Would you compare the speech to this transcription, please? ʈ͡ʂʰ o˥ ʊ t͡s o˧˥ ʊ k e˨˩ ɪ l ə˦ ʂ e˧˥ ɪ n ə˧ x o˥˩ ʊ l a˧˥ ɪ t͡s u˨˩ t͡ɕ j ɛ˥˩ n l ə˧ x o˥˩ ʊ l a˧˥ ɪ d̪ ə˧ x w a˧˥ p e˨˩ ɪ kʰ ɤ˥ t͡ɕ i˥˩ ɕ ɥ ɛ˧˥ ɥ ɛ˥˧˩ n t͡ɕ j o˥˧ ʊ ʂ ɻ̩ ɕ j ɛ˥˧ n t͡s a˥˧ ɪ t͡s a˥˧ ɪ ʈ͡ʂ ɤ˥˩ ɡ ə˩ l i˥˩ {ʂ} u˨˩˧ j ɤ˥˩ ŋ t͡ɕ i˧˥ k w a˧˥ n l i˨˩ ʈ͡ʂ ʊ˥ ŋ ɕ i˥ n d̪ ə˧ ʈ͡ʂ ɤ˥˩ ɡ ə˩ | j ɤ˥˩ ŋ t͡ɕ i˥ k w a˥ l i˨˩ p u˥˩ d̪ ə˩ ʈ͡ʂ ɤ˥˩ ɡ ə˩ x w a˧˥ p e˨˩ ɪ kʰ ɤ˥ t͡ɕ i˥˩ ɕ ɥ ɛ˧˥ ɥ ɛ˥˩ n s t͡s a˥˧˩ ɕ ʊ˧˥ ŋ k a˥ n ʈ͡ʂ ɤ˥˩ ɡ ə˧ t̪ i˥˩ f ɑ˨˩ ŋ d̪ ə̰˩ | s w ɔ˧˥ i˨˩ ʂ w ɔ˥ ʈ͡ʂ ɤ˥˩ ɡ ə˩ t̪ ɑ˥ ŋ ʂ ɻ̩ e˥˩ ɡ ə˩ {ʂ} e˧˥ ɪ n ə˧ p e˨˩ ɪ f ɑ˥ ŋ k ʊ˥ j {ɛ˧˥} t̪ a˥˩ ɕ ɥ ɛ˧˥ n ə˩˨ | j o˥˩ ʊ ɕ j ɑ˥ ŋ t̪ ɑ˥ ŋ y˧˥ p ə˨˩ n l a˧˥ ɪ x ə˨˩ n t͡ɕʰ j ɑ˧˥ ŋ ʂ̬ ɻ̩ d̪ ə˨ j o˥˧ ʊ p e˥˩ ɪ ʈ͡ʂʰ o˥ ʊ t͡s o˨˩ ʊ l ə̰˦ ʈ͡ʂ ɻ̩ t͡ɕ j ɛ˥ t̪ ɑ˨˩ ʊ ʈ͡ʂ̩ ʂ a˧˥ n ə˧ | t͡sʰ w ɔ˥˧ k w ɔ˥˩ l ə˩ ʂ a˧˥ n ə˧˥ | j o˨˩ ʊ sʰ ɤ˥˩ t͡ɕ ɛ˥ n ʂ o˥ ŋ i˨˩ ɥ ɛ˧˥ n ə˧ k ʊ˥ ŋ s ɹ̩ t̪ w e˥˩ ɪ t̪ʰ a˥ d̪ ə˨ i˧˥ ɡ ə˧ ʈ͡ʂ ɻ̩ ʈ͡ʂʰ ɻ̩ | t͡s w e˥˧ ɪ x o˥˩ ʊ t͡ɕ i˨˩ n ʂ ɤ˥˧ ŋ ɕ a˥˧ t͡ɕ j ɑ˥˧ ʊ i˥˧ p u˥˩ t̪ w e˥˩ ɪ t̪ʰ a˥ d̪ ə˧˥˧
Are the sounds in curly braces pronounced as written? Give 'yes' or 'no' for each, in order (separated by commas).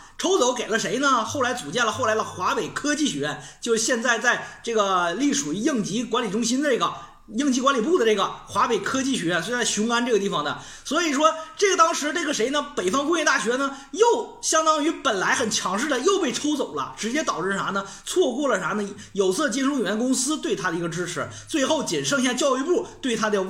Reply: yes, yes, no